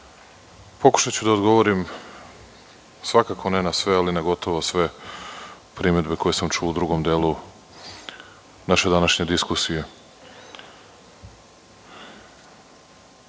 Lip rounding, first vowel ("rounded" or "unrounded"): rounded